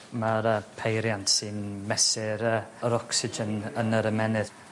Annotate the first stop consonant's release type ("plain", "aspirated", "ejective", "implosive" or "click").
aspirated